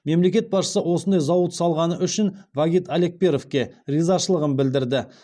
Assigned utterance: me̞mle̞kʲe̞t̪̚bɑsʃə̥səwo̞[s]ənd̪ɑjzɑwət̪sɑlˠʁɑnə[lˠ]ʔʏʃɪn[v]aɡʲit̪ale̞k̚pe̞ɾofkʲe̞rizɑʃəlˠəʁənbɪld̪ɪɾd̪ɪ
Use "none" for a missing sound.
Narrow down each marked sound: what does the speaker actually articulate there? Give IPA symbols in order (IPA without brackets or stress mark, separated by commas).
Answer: s, none, v